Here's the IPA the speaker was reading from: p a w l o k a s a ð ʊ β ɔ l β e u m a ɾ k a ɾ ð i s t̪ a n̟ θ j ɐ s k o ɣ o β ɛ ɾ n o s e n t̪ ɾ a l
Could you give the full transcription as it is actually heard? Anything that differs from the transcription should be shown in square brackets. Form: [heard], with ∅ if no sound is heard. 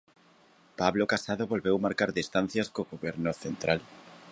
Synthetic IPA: p a [β] l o k a s a ð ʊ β [o] l β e [w] m a ɾ k a ɾ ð i s t̪ a n̟ θ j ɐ s k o ɣ o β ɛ ɾ n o [θ] e n t̪ ɾ a l